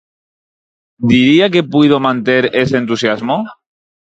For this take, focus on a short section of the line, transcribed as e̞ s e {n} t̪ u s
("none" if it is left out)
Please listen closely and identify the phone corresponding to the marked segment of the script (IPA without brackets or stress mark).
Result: n